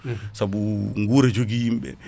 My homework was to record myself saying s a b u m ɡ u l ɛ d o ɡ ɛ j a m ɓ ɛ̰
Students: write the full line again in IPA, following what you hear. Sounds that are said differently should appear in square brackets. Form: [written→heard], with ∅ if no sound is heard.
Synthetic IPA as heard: s a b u [m→ŋ] ɡ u [l→ɾ] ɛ [d→d͡ʒ] o ɡ [ɛ→i] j [a→i] m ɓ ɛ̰